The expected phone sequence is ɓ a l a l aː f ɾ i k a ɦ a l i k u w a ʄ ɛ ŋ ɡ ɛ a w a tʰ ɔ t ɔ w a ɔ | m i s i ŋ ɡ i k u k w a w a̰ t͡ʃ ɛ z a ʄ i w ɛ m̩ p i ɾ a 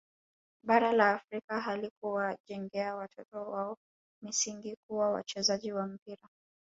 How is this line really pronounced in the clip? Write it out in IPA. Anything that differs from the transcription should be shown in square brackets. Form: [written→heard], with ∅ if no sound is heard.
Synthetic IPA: ɓ a [l→ɾ] a l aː f ɾ i k a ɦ a l i k u w a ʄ ɛ ŋ ɡ ɛ a w a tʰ ɔ t ɔ w a ɔ | m i s i ŋ ɡ i k u [k→∅] w a w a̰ t͡ʃ ɛ z a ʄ i w [ɛ→a] m̩ p i ɾ a